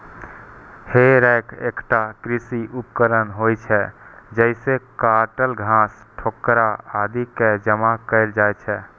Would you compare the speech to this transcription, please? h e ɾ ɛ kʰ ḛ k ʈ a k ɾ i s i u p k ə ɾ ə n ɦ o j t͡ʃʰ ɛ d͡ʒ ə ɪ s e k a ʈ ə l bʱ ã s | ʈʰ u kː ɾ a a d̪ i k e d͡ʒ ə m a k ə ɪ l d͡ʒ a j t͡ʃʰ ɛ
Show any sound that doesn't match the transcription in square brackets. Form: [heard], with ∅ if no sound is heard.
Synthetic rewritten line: h e ɾ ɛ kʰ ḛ k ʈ a k ɾ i s i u p k ə ɾ ə n ɦ o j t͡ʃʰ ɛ d͡ʒ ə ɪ s e k a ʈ ə l [ɡʱ] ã s | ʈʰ [o] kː ɾ a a d̪ i k e d͡ʒ ə m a k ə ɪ l d͡ʒ a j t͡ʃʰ ɛ

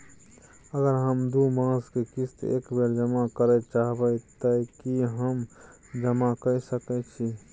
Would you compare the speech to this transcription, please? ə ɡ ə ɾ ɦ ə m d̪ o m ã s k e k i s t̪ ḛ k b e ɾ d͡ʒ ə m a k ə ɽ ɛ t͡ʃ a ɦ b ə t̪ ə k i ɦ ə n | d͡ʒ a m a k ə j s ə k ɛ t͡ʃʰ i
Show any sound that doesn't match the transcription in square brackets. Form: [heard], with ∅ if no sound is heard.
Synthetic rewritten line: ə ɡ ə ɾ ɦ ə m d̪ [u] m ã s k e k i s t̪ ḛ k b e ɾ d͡ʒ ə m a k ə [ɾ] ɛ t͡ʃ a ɦ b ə t̪ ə k i ɦ ə [m] | d͡ʒ [ə] m a k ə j s ə k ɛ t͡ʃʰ i

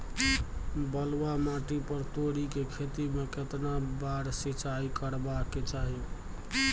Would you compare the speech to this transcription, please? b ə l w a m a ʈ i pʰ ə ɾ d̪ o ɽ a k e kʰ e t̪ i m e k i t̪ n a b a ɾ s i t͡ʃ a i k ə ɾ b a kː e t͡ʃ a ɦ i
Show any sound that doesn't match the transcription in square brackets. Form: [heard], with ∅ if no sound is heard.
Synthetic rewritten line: b ə l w a m a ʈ i [p] ə ɾ [t̪] o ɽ [i] k e kʰ e t̪ i m e k [e] t̪ n a b a ɾ s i t͡ʃ a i k ə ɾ b a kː e t͡ʃ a ɦ i

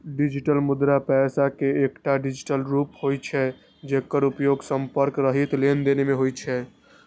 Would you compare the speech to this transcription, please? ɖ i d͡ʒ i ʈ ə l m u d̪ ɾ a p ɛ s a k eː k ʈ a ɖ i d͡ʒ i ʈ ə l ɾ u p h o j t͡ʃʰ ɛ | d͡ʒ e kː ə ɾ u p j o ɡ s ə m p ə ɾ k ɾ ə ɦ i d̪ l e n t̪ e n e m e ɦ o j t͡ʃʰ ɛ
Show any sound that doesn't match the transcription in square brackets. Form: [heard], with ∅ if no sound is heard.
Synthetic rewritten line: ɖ i d͡ʒ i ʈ ə l m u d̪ ɾ a p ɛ s a k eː k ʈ a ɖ i d͡ʒ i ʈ ə l ɾ u p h o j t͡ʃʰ ɛ | d͡ʒ e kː ə ɾ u p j o ɡ s ə m p ə ɾ k ɾ ə ɦ i [t̪] l e n [d̪] e n e m e ɦ o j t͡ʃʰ ɛ

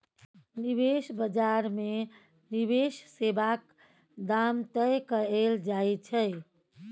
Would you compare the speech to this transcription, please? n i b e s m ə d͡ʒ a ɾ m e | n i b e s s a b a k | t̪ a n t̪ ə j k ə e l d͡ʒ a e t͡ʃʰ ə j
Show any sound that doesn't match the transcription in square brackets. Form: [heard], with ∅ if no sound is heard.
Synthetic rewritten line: n i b e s [b] ə d͡ʒ a ɾ m e | n i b e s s [e] b a k | [d̪] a [m] t̪ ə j k ə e l d͡ʒ a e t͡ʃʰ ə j

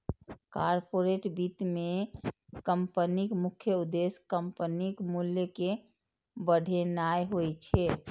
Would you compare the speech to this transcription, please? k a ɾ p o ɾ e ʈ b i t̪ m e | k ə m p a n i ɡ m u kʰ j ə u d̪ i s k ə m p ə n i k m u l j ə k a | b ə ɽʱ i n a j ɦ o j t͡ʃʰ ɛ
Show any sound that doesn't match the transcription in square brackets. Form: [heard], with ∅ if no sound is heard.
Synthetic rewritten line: k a ɾ p o ɾ e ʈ b i t̪ m e | k ə m p [ə] n i [k] m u kʰ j ə u d̪ [e] s k ə m p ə n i k m u l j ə k [e] | b ə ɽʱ [e] n a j ɦ o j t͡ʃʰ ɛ

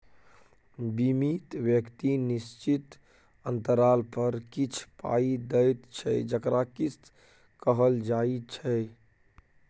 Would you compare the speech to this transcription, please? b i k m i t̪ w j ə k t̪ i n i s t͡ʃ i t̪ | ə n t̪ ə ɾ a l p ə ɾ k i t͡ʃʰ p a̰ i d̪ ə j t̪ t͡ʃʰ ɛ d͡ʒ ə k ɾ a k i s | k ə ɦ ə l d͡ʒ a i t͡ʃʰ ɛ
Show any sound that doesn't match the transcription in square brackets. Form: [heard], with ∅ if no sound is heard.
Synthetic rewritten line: b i [∅] m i t̪ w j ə k t̪ i n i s t͡ʃ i t̪ | ə n t̪ ə ɾ a l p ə ɾ k i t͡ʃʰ p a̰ i d̪ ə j t̪ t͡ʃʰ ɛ d͡ʒ ə k ɾ a k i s | k ə ɦ ə l d͡ʒ a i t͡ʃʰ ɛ

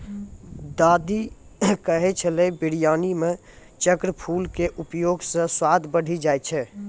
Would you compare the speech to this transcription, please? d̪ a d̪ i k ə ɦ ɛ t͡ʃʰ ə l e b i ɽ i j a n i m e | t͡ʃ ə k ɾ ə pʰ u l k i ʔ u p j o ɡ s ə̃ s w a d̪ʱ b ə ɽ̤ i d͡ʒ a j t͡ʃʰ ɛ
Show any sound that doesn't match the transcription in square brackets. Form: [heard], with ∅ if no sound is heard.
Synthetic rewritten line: d̪ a d̪ i k ə ɦ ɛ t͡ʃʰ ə l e b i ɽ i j a n i m e | t͡ʃ ə k ɾ ə pʰ u l k [e] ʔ u p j o ɡ s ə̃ s w a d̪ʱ b ə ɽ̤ i d͡ʒ a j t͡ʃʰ ɛ

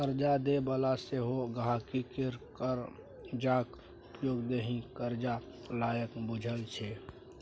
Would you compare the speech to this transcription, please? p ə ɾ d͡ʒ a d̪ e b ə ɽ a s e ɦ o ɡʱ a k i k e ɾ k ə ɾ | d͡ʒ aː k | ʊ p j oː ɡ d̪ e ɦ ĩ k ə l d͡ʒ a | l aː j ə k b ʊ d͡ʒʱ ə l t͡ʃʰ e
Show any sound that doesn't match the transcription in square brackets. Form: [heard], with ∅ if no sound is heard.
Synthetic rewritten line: [k] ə ɾ d͡ʒ a d̪ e b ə [l] a s e ɦ o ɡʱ a k i k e ɾ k ə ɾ | d͡ʒ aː k | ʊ p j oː ɡ d̪ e ɦ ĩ k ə [ɾ] d͡ʒ a | l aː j ə k b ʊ d͡ʒʱ ə l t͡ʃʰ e

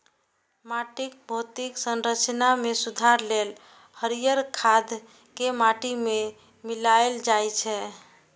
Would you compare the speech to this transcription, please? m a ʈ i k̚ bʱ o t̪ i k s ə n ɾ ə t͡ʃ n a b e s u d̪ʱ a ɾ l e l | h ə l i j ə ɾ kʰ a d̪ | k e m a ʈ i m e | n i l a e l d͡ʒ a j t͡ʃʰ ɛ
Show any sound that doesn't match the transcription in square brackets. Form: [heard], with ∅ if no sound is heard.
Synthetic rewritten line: m a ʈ i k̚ bʱ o t̪ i k s ə n ɾ ə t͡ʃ n a [m] e s u d̪ʱ a ɾ l e l | h ə [ɾ] i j ə ɾ kʰ a d̪ | k e m a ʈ i m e | [m] i l a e l d͡ʒ a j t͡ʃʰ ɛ

